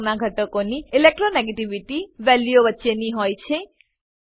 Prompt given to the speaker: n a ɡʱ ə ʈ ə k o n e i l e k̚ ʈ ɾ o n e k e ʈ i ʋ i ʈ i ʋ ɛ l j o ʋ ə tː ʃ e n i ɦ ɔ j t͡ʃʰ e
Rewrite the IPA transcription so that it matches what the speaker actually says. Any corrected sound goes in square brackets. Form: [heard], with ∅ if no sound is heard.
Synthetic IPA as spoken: n a ɡʱ ə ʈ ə k o n [i] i l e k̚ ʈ ɾ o n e [ɡ] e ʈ i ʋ i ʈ i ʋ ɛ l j o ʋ ə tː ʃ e n i ɦ ɔ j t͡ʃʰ e